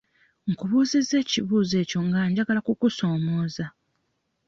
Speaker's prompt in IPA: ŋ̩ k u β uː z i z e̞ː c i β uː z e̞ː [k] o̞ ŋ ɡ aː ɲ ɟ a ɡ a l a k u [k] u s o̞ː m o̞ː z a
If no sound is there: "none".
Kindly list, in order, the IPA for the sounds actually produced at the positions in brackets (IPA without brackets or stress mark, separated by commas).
c, k